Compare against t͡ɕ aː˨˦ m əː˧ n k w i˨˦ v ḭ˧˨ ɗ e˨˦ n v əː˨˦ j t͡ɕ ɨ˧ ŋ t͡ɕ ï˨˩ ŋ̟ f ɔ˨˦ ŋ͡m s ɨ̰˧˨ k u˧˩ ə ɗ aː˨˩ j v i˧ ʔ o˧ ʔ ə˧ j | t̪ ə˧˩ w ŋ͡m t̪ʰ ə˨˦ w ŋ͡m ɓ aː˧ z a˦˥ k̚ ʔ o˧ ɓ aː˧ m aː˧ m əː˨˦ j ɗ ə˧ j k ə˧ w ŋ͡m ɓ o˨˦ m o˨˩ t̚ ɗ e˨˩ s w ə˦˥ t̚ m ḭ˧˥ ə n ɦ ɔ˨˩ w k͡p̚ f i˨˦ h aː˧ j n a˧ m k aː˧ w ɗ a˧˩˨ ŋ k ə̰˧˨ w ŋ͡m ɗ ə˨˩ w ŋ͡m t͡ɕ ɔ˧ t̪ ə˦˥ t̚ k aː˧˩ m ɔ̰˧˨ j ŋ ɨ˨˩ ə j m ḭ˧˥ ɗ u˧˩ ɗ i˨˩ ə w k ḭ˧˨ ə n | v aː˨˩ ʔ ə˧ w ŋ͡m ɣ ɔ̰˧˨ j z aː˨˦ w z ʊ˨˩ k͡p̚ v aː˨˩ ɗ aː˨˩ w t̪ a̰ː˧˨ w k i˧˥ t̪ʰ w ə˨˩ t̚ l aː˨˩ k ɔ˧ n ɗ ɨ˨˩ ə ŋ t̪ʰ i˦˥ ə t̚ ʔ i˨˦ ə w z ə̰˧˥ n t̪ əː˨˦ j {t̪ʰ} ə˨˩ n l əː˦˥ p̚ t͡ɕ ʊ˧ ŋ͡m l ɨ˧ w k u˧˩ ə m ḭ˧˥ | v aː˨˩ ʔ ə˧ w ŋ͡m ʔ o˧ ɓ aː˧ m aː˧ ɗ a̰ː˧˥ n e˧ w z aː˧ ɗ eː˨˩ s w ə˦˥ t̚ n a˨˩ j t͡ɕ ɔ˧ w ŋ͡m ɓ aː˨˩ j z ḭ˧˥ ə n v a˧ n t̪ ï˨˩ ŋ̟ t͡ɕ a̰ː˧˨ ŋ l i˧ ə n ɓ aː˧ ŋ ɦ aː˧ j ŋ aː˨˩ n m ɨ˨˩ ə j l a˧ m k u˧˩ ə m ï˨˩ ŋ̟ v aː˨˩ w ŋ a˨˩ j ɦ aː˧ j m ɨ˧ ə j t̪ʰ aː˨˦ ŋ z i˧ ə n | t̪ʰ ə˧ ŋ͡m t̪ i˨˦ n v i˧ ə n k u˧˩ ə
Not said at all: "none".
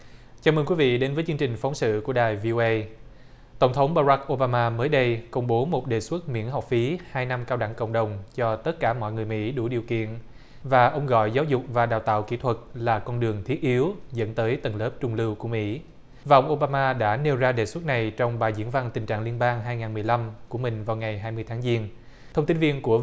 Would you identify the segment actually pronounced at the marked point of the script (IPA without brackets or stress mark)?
t̪